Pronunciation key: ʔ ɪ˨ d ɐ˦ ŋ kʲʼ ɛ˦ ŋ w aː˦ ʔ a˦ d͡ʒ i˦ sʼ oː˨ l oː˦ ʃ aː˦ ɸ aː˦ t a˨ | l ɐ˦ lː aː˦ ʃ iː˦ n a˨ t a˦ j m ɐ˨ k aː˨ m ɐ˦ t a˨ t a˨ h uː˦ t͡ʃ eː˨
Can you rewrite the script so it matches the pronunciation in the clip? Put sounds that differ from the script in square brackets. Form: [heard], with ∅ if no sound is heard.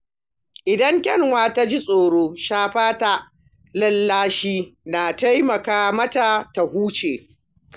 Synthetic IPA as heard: ʔ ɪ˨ d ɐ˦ ŋ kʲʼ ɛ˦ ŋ w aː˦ [t] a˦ d͡ʒ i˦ sʼ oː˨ [ɽ] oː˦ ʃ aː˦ ɸ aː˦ t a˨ | l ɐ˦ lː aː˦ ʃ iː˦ n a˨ t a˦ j m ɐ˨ k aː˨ m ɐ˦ t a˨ t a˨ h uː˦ t͡ʃ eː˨